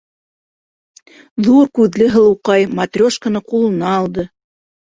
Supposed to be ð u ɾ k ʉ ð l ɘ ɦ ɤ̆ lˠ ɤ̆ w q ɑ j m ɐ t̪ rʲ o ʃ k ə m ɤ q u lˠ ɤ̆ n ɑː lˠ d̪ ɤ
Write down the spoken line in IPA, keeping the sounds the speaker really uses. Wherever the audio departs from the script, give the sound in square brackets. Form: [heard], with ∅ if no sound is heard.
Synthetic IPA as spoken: ð u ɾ k ʉ ð l ɘ ɦ ɤ̆ lˠ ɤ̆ w q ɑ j m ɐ t̪ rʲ o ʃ k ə [n] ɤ q u lˠ ɤ̆ n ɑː lˠ d̪ ɤ